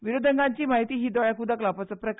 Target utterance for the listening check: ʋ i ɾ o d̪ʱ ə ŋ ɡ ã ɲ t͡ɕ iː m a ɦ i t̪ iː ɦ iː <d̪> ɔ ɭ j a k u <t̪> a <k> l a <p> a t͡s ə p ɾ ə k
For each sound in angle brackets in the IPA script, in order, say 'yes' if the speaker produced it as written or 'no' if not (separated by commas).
yes, no, yes, yes